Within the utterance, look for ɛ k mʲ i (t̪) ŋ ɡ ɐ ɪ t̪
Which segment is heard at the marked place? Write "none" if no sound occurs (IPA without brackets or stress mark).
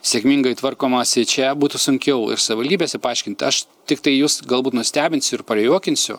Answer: none